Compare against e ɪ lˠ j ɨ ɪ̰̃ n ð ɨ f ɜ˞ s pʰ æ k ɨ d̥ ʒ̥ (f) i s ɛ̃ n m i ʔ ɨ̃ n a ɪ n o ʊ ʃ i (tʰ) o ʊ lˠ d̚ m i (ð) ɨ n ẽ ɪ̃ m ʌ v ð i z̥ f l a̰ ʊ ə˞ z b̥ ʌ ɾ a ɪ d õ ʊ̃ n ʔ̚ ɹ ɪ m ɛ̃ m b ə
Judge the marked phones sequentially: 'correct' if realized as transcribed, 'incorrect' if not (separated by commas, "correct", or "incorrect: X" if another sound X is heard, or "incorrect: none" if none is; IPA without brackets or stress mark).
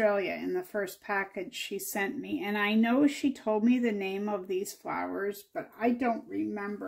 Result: incorrect: ʃ, correct, correct